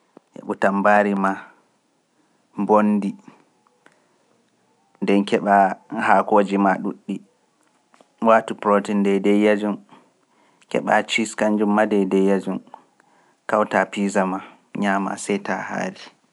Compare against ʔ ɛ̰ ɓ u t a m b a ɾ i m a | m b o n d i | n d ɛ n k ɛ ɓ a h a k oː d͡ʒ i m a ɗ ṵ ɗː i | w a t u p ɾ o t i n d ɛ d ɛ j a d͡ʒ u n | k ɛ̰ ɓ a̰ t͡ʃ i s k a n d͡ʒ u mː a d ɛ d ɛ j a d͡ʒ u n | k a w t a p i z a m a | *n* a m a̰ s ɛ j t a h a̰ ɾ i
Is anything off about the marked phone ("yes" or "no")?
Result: yes